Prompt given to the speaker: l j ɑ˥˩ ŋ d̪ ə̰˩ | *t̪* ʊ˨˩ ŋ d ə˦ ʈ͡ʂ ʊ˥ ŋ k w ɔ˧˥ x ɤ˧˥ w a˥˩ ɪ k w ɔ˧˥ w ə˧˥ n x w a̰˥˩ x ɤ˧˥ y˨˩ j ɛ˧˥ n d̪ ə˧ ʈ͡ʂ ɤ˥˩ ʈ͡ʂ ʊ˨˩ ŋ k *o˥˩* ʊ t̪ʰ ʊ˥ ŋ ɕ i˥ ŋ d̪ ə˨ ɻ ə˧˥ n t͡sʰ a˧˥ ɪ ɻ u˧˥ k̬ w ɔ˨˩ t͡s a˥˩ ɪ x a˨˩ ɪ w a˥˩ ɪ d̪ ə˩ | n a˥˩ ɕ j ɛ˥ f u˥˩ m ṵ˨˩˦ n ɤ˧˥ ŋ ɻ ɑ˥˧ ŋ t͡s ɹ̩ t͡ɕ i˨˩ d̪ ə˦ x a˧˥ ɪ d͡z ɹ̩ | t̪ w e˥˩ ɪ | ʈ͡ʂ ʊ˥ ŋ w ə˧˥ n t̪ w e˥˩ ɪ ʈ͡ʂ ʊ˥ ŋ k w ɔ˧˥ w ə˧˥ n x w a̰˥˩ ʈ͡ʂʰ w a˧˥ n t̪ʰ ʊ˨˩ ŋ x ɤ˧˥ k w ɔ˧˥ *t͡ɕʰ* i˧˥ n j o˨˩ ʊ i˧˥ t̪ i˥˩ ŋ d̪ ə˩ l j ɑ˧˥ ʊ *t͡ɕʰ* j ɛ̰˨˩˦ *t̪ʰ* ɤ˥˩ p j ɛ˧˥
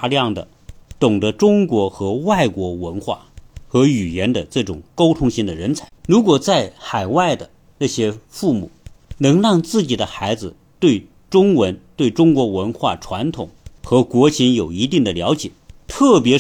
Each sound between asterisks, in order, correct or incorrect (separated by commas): correct, incorrect, correct, incorrect, correct